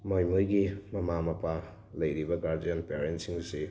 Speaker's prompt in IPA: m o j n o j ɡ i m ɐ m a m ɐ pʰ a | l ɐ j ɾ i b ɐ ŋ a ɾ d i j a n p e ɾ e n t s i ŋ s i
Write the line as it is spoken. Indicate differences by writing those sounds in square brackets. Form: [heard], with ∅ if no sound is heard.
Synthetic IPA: m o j [m] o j ɡ i m ɐ m a m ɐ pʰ a | l ɐ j ɾ i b ɐ [ɡ] a ɾ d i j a n p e ɾ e n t s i ŋ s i